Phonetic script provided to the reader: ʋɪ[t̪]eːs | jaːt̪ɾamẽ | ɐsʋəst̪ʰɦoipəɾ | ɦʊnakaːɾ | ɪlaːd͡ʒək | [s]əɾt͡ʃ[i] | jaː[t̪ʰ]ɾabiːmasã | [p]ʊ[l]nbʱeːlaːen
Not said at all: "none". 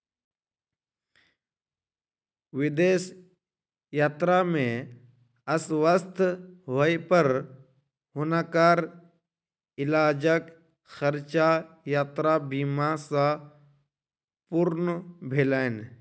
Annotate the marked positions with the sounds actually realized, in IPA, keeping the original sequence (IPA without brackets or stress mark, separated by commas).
d̪, x, a, t̪, p, ɾ